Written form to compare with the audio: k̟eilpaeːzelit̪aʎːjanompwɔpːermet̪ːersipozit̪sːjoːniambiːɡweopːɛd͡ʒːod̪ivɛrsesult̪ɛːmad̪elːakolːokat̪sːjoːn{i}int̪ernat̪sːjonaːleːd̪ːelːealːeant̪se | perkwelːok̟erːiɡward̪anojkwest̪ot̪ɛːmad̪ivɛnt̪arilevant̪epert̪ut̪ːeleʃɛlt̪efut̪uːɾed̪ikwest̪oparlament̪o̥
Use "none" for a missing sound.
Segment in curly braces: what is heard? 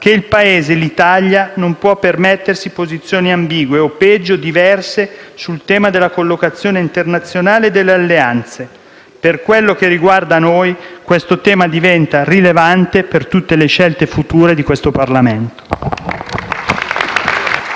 e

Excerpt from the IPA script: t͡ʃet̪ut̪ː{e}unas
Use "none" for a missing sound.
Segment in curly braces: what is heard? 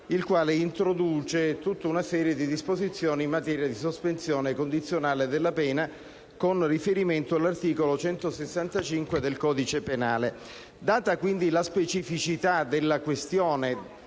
a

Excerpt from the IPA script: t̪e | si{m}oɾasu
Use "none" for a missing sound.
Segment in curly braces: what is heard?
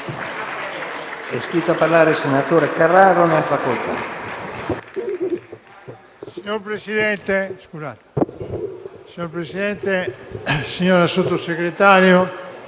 ɲ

